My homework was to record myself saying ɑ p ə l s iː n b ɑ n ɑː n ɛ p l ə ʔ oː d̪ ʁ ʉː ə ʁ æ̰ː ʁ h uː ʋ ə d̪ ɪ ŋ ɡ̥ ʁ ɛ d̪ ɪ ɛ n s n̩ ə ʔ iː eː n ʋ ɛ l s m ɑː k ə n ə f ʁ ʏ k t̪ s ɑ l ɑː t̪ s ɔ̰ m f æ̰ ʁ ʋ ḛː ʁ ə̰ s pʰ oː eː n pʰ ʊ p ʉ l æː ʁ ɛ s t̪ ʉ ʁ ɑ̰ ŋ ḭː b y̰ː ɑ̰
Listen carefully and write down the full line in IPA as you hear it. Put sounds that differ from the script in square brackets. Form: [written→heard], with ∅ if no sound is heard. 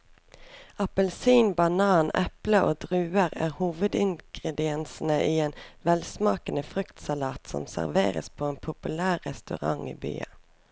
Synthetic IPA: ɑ p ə l s iː n b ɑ n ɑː n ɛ p l ə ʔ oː d̪ ʁ ʉː ə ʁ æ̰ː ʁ h uː ʋ ə d̪ ɪ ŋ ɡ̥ ʁ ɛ d̪ ɪ ɛ n s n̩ ə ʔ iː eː n ʋ ɛ l s m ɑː k ə n ə f ʁ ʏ k t̪ s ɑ l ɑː t̪ s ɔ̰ m [f→s] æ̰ ʁ ʋ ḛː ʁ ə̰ s pʰ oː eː n pʰ ʊ p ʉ l æː ʁ ɛ s t̪ ʉ ʁ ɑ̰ ŋ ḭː b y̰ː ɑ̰